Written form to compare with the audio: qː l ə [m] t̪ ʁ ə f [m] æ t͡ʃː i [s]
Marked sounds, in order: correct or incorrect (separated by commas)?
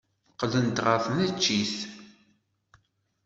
incorrect, incorrect, incorrect